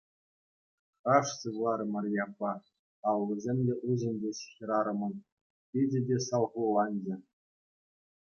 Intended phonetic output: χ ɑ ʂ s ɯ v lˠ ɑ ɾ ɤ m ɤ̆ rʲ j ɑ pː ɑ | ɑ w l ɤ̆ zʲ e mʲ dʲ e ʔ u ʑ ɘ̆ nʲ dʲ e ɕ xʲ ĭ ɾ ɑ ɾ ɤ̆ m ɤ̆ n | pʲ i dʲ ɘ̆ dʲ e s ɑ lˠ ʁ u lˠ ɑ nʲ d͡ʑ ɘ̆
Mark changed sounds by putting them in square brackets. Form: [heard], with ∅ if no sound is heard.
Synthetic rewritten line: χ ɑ ʂ s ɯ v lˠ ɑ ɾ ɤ m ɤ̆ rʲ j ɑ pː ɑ | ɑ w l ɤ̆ zʲ e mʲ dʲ e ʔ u ʑ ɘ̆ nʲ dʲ e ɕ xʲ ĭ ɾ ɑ ɾ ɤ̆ m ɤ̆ n | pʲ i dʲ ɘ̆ dʲ e s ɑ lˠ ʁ u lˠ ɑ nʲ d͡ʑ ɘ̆